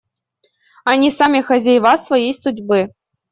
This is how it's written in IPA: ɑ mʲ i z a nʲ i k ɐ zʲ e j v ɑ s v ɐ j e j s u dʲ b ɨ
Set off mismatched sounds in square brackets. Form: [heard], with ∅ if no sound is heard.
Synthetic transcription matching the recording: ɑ [nʲ] i [s] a [mʲ] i [x] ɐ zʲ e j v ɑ s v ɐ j e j s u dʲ b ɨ